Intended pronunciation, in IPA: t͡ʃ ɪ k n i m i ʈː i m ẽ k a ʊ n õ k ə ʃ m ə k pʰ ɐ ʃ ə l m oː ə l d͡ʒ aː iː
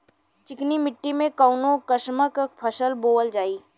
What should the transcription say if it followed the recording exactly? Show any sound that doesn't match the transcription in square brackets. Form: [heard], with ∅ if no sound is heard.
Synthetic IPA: t͡ʃ ɪ k n i m [ɪ] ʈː i m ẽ k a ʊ n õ k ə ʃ m ə k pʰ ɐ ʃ ə l [b] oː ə l d͡ʒ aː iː